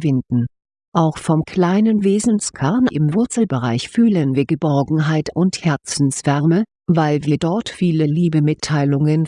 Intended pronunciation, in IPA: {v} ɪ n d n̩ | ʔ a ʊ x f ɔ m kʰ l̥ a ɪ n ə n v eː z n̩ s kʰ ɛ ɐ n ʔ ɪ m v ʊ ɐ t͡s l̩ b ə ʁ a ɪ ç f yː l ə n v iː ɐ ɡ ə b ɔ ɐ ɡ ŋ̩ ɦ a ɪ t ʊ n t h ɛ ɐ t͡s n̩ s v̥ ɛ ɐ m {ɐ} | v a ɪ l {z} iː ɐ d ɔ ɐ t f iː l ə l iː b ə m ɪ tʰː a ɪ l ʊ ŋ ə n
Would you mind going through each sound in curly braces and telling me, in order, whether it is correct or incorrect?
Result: correct, incorrect: ə, incorrect: v

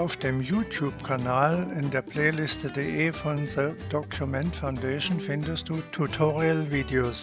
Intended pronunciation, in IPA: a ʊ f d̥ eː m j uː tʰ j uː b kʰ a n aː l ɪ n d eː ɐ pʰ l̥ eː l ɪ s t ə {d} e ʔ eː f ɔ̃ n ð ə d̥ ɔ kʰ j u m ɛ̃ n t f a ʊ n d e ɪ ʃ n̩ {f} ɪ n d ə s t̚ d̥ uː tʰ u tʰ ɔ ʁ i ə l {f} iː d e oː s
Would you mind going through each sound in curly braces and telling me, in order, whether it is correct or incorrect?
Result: correct, correct, incorrect: v

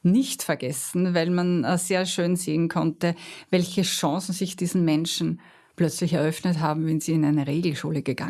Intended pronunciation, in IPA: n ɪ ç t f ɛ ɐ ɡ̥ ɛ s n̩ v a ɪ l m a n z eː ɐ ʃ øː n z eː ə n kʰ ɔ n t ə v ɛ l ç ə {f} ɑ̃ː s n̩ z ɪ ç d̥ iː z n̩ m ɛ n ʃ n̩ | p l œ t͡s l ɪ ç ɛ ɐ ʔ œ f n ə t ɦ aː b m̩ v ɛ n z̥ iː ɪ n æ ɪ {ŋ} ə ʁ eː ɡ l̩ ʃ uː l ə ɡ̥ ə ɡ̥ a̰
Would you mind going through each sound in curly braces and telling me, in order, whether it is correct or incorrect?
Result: incorrect: ʃ, incorrect: n

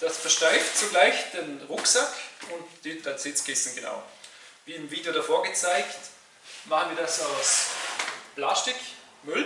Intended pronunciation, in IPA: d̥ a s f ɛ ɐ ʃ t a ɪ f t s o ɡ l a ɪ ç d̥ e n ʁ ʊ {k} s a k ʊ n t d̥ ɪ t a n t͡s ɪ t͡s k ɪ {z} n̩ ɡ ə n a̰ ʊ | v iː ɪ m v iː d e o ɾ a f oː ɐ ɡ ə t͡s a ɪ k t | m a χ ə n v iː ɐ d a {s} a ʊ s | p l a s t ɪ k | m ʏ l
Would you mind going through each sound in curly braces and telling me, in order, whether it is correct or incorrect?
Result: correct, incorrect: s, correct

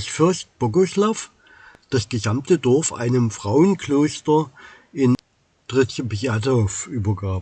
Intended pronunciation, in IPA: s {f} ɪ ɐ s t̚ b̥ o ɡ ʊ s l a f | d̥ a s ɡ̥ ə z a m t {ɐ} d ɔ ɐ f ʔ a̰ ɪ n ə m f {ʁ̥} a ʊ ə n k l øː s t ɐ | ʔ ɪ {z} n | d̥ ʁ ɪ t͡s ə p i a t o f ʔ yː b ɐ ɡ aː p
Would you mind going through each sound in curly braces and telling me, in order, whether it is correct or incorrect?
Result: correct, incorrect: ə, correct, incorrect: none

